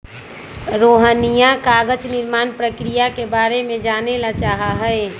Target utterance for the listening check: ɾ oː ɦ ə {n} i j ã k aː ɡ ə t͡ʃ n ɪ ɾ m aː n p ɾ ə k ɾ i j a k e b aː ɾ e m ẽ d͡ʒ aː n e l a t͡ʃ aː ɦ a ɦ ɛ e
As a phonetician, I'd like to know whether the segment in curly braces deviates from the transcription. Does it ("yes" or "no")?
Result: no